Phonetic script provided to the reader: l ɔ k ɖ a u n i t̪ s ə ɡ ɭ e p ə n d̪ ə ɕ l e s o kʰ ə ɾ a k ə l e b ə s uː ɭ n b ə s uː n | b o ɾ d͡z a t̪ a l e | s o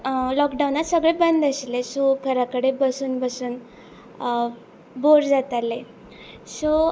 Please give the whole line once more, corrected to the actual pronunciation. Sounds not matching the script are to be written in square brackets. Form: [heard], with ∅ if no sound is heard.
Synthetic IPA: l ɔ k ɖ a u n [a] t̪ s ə ɡ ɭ e [b] ə n d̪ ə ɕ l e s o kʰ ə ɾ a k ə [ɽ] e b ə s uː [∅] n b ə s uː n | b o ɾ d͡z a t̪ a l e | s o